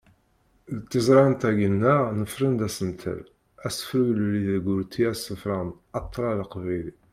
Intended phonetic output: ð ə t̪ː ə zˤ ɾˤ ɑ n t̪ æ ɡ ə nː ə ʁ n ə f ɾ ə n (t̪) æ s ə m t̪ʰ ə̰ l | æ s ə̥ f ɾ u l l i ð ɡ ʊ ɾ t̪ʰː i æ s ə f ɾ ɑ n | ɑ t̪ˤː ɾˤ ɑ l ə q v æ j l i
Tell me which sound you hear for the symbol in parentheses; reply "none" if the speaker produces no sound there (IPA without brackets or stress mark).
d̪